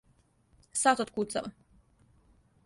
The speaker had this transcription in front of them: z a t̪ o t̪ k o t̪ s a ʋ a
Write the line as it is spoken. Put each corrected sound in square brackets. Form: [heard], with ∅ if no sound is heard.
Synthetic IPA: [s] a t̪ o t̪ k [u] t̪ s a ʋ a